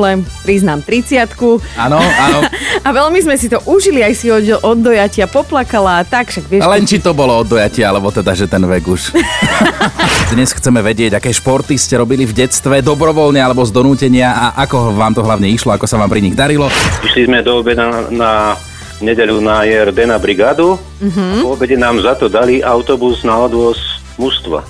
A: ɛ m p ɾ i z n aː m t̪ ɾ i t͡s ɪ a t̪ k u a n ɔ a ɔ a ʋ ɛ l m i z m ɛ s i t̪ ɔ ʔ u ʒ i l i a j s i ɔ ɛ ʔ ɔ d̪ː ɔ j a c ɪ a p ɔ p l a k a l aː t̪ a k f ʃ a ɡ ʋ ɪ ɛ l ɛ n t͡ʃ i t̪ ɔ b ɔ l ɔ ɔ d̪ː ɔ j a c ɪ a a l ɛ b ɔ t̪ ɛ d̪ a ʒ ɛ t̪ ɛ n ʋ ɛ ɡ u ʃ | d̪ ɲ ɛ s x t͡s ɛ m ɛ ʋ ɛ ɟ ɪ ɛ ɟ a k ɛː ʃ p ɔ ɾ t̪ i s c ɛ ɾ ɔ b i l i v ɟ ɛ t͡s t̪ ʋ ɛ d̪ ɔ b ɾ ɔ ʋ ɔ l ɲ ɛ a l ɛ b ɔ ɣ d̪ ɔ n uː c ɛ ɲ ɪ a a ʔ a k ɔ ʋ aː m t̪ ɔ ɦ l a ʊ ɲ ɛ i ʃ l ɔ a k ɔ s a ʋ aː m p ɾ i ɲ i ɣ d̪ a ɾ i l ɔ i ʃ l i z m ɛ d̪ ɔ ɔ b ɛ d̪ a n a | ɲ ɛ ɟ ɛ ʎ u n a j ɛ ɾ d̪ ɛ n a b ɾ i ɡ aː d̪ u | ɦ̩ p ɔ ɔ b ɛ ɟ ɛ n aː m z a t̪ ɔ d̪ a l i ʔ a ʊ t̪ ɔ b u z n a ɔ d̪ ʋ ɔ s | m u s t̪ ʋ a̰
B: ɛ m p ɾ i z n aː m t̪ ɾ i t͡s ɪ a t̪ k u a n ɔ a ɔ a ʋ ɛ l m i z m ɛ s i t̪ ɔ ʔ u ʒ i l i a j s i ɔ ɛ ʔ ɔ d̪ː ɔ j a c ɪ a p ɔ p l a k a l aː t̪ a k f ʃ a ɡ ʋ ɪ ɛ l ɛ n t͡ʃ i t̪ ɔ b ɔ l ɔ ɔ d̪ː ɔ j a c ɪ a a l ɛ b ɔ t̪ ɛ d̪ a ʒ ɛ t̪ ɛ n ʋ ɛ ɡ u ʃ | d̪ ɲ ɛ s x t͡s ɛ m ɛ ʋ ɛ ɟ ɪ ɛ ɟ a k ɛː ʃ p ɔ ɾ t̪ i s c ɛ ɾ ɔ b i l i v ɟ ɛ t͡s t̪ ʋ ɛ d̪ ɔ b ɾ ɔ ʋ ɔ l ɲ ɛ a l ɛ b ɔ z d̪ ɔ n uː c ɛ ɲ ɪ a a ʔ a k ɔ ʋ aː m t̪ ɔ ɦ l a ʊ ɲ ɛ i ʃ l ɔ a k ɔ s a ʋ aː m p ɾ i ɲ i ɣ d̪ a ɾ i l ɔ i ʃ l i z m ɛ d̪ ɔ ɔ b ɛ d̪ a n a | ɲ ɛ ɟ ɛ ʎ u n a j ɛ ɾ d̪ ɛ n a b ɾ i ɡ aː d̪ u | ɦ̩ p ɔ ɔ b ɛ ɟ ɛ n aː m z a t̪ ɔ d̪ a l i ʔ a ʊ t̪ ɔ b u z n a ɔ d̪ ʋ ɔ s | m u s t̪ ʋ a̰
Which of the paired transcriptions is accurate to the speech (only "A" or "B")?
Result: B